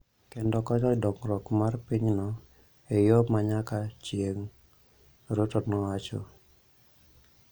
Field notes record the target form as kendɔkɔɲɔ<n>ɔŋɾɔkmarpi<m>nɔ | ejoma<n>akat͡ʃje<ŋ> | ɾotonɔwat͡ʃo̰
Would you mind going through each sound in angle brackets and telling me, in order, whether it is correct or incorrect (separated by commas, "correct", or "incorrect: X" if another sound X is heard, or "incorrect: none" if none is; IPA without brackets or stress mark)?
incorrect: d, incorrect: ɲ, incorrect: ɲ, correct